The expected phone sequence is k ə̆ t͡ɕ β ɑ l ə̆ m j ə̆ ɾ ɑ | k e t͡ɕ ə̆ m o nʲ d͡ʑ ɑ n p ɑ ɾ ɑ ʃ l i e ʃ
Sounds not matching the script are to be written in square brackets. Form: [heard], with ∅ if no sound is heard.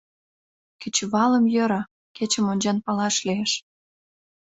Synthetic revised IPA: k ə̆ t͡ɕ β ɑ l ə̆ m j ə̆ ɾ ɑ | k e t͡ɕ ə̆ m o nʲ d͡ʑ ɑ n p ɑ [l] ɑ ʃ l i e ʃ